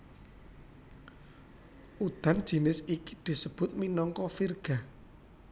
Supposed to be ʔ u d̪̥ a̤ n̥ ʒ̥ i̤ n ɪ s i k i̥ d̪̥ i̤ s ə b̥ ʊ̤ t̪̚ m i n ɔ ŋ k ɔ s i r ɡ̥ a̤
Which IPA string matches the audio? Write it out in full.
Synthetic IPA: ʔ u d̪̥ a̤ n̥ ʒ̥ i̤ n ɪ s i k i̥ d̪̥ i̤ s ə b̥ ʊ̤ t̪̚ m i n ɔ ŋ k ɔ f i r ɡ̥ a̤